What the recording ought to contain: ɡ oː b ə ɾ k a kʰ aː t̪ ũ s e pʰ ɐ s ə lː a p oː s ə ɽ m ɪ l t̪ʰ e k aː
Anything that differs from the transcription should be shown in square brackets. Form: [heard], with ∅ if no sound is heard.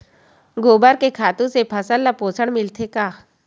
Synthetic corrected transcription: ɡ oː b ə ɾ k [e] kʰ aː t̪ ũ s e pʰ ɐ s ə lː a p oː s ə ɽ m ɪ l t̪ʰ e k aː